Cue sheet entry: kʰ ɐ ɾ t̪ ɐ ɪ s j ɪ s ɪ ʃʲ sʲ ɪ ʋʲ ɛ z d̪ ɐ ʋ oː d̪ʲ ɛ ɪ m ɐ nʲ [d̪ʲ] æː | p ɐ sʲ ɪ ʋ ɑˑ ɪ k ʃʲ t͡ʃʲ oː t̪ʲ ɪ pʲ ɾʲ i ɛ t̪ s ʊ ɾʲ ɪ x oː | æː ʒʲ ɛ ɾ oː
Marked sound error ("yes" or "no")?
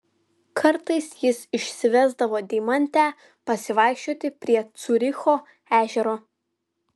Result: yes